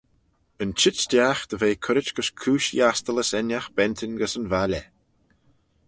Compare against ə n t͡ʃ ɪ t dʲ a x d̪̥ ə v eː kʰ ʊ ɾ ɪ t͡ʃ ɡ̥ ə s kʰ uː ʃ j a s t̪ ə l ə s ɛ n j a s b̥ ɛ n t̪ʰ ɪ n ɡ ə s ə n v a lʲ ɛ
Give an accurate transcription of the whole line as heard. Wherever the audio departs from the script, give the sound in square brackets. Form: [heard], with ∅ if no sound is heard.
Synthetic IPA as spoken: ə n t͡ʃ ɪ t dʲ a x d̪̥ ə v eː kʰ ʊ ɾ ɪ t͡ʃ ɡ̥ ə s kʰ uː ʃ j a s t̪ ə l ə s ɛ n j a [x] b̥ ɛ n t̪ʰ ɪ n ɡ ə s ə n v a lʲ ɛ